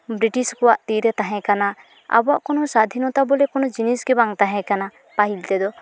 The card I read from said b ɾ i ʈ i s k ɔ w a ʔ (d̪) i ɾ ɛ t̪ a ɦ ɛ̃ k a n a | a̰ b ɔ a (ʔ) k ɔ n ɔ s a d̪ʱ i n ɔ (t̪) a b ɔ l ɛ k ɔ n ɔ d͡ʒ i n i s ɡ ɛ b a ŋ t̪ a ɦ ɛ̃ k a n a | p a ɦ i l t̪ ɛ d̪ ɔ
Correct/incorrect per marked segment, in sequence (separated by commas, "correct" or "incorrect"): incorrect, correct, correct